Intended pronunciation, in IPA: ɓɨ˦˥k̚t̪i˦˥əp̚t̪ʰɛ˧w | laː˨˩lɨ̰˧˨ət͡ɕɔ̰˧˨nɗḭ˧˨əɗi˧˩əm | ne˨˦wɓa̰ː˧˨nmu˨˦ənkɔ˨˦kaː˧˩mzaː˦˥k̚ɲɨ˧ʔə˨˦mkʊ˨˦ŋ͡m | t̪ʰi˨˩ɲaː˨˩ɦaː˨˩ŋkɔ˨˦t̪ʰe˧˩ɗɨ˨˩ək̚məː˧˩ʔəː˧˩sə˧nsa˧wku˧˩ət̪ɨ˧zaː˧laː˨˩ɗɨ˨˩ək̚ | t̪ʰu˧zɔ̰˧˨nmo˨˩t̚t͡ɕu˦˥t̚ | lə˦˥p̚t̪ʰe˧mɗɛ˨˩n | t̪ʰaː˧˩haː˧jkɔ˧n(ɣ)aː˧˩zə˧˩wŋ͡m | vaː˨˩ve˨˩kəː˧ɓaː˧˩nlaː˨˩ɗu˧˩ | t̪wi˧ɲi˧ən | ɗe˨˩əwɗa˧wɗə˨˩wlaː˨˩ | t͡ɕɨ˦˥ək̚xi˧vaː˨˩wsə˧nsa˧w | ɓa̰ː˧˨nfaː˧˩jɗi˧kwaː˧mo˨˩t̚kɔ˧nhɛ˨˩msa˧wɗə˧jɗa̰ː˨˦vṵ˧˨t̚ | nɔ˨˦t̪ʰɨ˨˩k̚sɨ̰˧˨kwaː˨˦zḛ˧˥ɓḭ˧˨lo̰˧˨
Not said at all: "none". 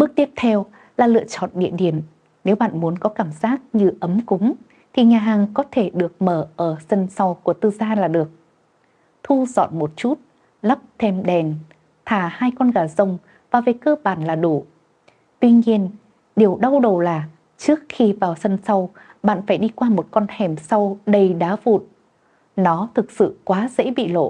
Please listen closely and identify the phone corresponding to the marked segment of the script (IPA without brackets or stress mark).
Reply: ɣ